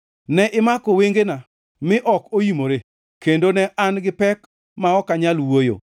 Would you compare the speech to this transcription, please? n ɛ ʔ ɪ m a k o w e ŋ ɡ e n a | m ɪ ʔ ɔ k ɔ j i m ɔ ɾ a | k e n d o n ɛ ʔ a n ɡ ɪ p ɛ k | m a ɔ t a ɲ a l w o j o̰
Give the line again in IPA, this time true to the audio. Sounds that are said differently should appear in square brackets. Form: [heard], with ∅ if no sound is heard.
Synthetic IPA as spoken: n ɛ ʔ ɪ m a k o w e ŋ ɡ e n a | m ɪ ʔ ɔ k [o] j i m [o] ɾ [e] | k e n d o n ɛ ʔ a n ɡ ɪ p ɛ k | m a ɔ [k] a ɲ a l w o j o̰